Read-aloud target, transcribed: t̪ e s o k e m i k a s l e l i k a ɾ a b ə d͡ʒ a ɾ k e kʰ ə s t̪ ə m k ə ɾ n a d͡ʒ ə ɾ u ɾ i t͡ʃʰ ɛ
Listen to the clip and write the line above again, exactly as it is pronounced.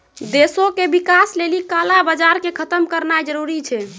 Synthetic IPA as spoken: d̪ e s o k e b i k a s l e l i k a l a b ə d͡ʒ a ɾ k e kʰ ə t̪ ə m k ə ɾ n a d͡ʒ ə ɾ u ɾ i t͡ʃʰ ɛ